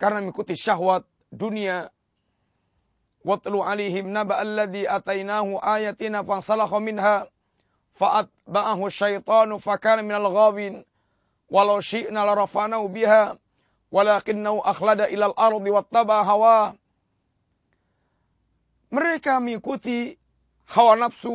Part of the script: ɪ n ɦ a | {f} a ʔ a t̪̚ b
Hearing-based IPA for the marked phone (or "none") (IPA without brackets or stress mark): f